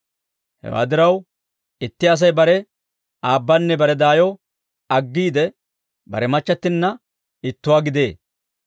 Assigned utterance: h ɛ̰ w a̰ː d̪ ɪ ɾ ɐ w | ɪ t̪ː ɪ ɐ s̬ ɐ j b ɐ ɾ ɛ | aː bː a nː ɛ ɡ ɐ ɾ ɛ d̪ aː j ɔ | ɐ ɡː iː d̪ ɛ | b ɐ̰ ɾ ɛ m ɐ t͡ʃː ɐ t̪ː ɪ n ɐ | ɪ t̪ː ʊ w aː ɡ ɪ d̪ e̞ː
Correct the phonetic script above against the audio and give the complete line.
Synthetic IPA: h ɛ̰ w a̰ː d̪ ɪ ɾ ɐ w | ɪ t̪ː ɪ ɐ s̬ ɐ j b ɐ ɾ ɛ | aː bː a nː ɛ b ɐ ɾ ɛ d̪ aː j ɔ | ɐ ɡː iː d̪ ɛ | b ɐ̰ ɾ ɛ m ɐ t͡ʃː ɐ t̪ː ɪ nː ɐ | ɪ t̪ː ʊ w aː ɡ ɪ d̪ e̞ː